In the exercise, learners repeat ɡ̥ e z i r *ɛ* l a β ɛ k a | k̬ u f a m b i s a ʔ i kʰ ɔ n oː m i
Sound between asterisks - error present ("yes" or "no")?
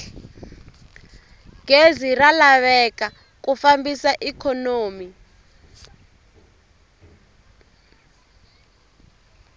yes